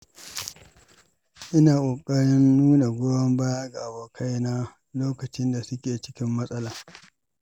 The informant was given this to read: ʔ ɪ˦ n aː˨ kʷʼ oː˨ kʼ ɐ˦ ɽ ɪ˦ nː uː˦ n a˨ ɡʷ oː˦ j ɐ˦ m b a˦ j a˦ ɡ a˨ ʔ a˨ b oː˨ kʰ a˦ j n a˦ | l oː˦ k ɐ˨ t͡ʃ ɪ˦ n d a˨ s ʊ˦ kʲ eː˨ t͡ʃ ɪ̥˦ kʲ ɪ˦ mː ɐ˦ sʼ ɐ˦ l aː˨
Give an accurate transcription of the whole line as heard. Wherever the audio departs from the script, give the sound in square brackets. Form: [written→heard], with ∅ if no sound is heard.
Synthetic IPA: ʔ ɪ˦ n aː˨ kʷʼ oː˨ kʼ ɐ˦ ɽ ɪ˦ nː uː˦ n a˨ ɡʷ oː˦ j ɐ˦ m b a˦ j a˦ ɡ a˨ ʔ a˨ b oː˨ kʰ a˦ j n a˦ | l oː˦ k ɐ˨ t͡ʃ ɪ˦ n d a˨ s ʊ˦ kʲ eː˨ t͡ʃ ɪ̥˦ kʲ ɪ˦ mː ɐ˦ sʼ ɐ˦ l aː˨